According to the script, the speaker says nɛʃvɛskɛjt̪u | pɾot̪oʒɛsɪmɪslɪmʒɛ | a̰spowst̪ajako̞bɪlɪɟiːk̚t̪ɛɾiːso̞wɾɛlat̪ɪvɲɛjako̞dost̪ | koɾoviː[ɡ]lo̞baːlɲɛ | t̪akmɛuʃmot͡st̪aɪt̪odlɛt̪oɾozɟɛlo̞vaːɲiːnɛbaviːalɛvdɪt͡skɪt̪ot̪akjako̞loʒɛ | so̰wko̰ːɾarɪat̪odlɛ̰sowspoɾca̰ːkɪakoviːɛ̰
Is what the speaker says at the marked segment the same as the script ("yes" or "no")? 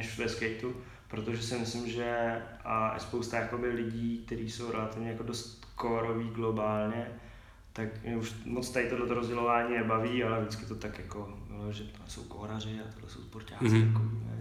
yes